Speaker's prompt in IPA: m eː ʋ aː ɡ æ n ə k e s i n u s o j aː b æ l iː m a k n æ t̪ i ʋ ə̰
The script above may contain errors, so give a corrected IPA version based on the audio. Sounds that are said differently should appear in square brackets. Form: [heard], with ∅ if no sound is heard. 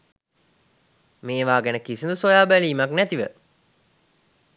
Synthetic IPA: m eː ʋ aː ɡ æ n ə k [i] s i n u s o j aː b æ l iː m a k n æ t̪ i ʋ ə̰